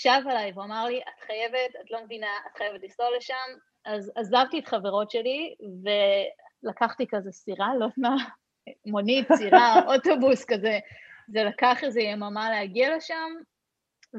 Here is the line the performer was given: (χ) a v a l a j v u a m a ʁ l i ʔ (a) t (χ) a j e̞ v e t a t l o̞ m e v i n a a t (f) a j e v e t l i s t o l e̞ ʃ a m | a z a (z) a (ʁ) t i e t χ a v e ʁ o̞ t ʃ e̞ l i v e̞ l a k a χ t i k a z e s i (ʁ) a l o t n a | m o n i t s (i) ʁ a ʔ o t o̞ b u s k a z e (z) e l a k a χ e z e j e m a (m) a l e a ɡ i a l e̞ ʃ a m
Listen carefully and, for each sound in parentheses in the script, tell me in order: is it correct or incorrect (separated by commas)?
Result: incorrect, correct, correct, incorrect, correct, incorrect, correct, correct, correct, correct